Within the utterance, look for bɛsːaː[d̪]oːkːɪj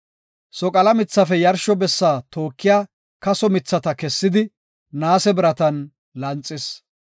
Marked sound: incorrect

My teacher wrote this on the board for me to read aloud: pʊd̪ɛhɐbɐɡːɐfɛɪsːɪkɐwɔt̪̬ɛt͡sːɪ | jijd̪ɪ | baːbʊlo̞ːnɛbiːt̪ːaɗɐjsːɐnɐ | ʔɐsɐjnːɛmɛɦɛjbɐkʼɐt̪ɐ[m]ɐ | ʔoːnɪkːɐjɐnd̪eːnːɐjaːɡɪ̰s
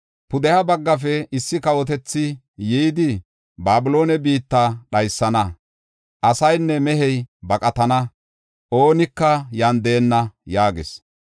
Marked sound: incorrect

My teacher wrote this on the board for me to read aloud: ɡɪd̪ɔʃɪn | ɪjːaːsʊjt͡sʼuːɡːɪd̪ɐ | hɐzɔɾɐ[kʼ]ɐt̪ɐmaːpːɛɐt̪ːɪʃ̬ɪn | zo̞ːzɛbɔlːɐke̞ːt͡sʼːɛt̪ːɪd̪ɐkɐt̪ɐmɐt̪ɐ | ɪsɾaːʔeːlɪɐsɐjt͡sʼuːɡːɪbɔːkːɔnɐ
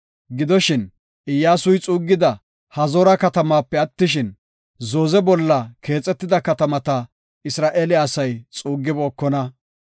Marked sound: incorrect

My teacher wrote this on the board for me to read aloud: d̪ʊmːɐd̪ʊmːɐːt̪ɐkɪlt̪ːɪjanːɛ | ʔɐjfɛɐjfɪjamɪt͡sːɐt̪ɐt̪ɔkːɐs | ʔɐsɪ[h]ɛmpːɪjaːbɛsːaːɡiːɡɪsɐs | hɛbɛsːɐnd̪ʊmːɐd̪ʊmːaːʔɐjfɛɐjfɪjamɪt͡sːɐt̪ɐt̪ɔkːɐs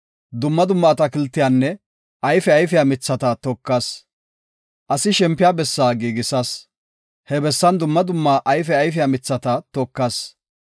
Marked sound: incorrect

